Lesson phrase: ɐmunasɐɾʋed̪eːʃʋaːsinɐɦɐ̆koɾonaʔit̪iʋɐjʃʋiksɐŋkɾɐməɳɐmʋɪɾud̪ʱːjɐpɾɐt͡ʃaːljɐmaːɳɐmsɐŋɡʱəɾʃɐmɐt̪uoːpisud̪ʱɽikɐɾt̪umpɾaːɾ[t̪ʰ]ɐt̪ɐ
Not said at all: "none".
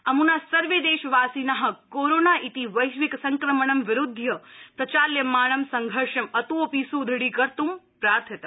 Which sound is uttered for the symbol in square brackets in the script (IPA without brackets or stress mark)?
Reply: t̪ʰ